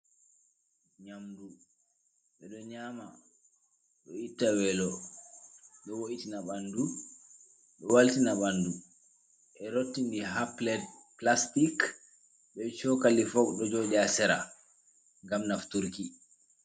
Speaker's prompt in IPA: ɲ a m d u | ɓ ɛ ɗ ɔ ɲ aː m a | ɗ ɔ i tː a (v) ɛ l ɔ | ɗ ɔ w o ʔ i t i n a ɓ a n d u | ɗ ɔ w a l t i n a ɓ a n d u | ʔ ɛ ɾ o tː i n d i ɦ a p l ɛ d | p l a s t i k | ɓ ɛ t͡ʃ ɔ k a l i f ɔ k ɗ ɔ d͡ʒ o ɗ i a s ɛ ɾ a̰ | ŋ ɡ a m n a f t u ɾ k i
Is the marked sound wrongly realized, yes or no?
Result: yes